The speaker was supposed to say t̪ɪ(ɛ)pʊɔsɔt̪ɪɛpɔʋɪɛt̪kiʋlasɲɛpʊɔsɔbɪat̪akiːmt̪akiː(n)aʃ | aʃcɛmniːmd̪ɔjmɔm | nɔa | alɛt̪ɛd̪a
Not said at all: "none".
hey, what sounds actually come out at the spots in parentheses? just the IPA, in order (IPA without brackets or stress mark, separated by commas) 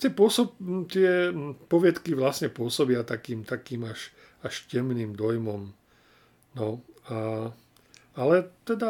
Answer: ɛ, m